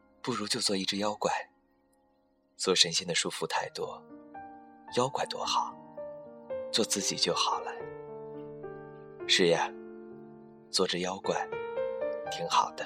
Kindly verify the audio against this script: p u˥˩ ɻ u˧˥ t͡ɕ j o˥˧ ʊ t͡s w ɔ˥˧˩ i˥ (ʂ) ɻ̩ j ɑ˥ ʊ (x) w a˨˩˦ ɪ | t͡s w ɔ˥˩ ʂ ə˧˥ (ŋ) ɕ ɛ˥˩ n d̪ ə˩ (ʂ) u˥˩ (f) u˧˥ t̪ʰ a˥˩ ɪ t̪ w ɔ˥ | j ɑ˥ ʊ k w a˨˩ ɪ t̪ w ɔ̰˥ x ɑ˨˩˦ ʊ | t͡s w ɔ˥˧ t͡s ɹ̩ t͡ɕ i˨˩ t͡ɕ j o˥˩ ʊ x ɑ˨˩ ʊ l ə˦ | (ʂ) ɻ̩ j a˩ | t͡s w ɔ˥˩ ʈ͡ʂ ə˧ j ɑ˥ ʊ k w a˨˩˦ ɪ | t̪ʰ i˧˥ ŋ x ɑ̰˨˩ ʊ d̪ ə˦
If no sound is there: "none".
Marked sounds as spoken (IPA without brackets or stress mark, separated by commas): ʈ͡ʂ, k, n, ʂ, f, ʂ